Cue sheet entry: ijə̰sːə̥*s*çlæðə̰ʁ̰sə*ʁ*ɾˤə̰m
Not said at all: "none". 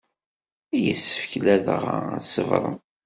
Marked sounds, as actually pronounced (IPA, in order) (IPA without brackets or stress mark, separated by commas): f, v